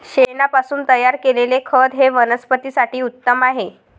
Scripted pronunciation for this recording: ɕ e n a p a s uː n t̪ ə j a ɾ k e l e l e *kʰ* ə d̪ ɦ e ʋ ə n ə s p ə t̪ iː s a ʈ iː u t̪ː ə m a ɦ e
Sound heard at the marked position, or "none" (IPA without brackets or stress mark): kʰ